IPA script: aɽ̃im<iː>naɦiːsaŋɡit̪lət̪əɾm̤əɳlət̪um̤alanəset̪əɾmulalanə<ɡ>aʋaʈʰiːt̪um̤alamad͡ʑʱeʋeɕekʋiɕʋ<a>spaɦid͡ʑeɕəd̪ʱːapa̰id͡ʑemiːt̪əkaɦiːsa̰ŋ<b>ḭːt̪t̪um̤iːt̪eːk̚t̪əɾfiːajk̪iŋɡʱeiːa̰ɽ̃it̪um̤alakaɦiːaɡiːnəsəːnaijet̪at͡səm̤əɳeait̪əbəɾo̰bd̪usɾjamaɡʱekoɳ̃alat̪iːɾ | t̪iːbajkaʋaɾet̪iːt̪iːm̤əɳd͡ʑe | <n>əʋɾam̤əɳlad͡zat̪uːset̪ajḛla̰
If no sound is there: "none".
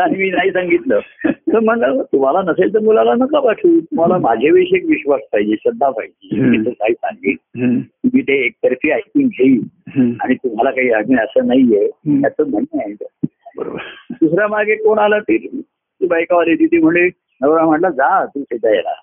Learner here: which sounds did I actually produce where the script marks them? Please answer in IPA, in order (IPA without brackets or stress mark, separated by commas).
iː, k, a, ɡ, n